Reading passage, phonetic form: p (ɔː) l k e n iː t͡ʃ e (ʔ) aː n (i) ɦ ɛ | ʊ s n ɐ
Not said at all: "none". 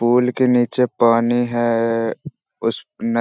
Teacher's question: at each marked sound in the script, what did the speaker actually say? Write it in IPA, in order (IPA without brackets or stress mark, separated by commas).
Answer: uː, p, i